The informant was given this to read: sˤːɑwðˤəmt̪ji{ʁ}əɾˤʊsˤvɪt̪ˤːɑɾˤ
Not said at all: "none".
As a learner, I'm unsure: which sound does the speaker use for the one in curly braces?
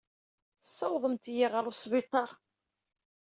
ʁ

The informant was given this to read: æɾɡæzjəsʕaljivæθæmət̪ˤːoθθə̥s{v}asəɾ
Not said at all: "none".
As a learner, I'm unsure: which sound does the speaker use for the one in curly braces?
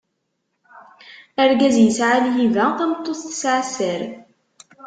ʕ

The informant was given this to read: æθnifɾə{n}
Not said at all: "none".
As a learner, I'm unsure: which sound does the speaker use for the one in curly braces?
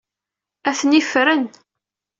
n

